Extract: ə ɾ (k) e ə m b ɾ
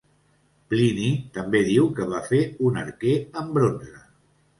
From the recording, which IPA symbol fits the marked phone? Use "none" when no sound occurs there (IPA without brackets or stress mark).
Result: k